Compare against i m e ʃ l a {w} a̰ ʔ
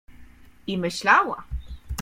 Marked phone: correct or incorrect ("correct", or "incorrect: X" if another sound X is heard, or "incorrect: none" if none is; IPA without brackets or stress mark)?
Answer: correct